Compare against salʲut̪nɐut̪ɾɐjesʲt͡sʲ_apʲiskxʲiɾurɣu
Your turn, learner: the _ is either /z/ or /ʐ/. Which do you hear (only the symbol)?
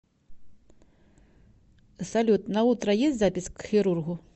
z